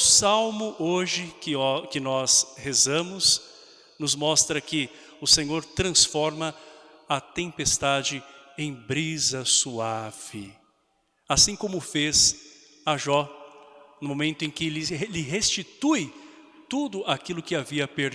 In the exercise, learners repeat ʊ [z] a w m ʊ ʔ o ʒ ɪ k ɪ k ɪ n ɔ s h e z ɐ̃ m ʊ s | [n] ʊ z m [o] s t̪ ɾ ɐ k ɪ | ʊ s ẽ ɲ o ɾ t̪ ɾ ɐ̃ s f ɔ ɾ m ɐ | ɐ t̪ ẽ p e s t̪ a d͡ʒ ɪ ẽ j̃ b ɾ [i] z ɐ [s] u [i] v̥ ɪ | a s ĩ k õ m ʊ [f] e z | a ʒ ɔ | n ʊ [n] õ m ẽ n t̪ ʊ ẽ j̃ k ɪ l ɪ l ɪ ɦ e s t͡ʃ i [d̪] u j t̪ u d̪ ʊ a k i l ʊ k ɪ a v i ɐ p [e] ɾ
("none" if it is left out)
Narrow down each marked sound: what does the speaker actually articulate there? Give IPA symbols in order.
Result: s, n, ɔ, i, s, a, f, m, t̪, e

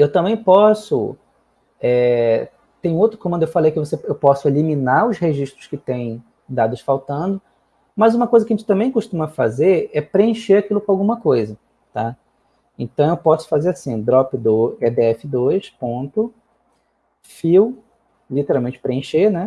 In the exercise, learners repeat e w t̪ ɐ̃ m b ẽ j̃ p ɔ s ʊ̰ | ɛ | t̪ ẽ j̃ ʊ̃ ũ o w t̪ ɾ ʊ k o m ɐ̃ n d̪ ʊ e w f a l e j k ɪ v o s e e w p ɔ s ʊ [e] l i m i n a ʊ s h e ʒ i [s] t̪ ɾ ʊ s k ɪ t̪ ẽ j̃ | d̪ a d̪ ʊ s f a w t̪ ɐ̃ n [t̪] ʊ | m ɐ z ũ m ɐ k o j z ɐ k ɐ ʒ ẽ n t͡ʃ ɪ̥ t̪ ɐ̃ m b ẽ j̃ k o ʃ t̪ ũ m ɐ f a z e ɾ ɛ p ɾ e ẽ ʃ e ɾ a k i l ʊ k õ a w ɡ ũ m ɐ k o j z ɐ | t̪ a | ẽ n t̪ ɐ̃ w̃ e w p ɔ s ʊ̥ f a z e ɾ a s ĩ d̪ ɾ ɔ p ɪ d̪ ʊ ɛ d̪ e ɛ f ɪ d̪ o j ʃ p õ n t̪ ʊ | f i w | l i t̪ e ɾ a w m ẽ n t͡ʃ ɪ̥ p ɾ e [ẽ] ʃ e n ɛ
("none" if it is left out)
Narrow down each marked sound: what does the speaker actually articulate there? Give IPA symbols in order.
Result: e, ʃ, d̪, ẽ

